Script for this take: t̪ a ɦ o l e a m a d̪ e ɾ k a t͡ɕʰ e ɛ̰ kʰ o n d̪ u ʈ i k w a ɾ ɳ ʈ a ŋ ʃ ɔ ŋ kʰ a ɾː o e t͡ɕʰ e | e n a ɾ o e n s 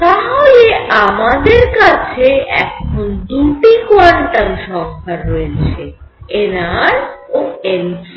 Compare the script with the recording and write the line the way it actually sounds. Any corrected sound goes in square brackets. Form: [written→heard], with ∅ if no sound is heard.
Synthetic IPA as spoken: t̪ a ɦ o l e a m a d̪ e ɾ k a t͡ɕʰ e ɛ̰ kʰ o n d̪ u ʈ i k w a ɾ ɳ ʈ a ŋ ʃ ɔ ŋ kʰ a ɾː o e t͡ɕʰ e | e n a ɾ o e n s